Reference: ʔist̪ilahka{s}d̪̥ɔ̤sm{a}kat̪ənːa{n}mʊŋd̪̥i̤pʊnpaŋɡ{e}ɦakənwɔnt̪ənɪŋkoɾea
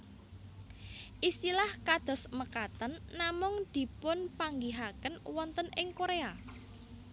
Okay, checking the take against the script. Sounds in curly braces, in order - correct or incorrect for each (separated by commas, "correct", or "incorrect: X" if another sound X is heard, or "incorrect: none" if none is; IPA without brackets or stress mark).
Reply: incorrect: none, incorrect: ə, incorrect: none, incorrect: i